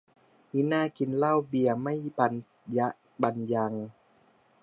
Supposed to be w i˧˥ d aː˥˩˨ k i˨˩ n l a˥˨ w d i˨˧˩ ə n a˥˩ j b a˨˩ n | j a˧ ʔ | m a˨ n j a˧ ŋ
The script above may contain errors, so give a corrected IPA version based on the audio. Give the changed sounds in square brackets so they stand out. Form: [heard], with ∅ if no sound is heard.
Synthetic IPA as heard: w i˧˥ [n] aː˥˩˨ k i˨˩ n l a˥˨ w [b] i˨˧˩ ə [m] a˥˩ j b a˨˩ n | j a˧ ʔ | [b] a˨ n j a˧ ŋ